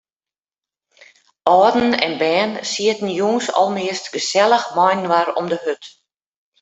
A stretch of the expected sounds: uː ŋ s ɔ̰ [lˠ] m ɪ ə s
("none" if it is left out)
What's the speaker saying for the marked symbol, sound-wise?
lˠ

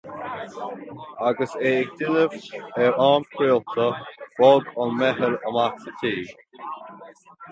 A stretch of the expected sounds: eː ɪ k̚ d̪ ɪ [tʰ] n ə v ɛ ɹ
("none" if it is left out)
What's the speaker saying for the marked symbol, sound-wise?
none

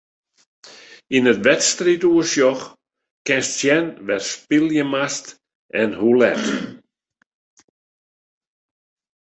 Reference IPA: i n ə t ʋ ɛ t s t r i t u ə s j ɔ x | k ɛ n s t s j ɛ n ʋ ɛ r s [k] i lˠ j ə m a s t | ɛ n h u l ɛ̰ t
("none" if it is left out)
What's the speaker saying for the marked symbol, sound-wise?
p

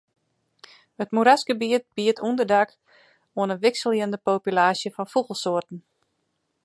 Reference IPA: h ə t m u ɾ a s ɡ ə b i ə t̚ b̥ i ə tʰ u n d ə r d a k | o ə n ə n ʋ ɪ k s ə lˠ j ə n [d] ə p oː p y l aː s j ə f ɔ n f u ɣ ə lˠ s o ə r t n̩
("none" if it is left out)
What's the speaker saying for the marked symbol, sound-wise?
d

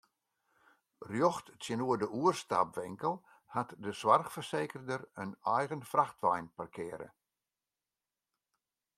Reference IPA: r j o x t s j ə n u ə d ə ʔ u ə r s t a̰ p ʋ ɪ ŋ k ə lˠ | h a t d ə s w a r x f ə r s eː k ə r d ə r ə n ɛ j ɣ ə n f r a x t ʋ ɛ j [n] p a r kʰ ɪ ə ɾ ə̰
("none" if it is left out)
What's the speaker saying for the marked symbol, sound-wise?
n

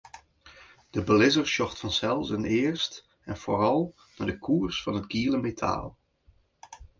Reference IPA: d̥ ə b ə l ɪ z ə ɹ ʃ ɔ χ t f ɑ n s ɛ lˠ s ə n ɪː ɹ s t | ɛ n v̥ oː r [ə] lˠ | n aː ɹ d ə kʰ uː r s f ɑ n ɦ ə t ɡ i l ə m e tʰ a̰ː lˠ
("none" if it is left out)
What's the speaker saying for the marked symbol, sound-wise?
ɑ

